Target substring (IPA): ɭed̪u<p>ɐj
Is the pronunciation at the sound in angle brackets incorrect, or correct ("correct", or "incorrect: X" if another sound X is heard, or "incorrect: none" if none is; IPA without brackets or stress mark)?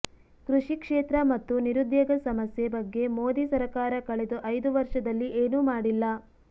incorrect: ʔ